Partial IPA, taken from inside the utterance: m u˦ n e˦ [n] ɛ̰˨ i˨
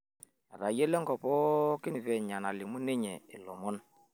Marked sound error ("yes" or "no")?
yes